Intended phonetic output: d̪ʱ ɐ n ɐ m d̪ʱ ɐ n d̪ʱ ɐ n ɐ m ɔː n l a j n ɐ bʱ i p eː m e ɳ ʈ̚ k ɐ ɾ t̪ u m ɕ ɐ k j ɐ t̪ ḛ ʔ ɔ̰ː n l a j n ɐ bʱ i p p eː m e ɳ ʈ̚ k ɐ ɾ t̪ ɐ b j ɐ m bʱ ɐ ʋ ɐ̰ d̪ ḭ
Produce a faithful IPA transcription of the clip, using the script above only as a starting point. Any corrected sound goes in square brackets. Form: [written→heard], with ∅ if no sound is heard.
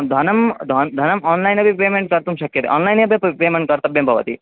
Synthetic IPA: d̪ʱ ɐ n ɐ m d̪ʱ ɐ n d̪ʱ ɐ n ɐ m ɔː n l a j n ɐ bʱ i p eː m e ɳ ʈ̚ k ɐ ɾ t̪ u m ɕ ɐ k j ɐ t̪ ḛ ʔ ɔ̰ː n l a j n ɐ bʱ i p p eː m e ɳ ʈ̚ k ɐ ɾ t̪ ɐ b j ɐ m bʱ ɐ ʋ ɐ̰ [d̪→t̪] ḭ